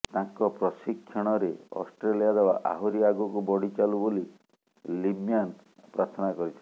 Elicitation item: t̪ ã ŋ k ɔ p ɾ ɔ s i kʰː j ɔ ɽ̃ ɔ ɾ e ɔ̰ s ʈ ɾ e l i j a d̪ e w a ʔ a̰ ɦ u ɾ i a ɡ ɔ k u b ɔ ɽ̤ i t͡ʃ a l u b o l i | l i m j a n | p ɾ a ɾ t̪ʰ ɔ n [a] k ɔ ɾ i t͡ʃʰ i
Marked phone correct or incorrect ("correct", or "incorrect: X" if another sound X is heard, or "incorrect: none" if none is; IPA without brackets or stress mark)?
correct